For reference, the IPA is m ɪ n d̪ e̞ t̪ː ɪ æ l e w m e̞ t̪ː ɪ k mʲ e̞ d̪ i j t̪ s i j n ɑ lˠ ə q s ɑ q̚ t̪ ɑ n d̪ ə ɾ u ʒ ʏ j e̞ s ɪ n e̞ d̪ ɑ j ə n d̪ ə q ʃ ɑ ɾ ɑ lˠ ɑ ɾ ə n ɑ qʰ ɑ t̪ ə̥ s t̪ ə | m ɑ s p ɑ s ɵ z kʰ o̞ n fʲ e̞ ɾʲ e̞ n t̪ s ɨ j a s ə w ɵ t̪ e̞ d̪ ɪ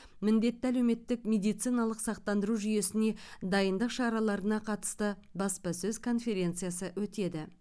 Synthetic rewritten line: m ɪ n d̪ e̞ t̪ː ɪ æ l e w m e̞ t̪ː ɪ k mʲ e̞ d̪ i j t̪ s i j n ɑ lˠ ə q s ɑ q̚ t̪ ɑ n d̪ ə ɾ u ʒ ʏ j e̞ s ɪ n e̞ d̪ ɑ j ə n d̪ ə q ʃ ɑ ɾ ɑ lˠ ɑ ɾ ə n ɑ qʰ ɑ t̪ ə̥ s t̪ ə | b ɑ s p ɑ s ɵ z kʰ o̞ n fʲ e̞ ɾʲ e̞ n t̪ s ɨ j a s ə w ɵ t̪ e̞ d̪ ɪ